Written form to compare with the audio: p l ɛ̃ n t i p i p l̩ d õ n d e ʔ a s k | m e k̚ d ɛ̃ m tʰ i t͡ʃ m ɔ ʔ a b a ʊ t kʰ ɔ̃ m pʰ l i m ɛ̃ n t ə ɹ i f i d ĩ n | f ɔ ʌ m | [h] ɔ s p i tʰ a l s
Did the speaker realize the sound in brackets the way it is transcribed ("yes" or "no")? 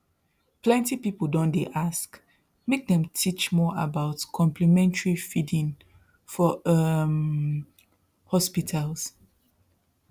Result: yes